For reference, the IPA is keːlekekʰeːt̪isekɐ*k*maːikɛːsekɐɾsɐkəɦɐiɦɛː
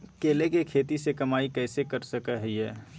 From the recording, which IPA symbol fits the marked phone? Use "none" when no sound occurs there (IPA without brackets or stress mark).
none